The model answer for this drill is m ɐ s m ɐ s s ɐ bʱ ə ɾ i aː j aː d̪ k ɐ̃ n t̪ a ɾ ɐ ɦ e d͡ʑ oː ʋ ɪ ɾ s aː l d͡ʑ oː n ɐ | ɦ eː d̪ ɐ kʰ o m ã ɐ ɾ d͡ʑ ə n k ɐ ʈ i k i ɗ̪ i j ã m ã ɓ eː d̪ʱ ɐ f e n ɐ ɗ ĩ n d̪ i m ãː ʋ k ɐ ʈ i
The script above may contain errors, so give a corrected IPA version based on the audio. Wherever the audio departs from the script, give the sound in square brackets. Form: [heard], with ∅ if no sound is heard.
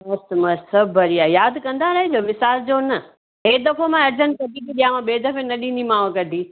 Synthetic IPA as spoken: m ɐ s m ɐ s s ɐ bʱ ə ɾ i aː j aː d̪ k ɐ̃ n [d̪] a ɾ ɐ ɦ e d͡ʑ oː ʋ ɪ [∅] s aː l d͡ʑ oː n ɐ | ɦ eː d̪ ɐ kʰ o m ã ɐ ɾ d͡ʑ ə n k ɐ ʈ i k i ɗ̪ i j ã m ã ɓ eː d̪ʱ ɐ f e n ɐ ɗ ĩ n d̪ i m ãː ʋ k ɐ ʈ i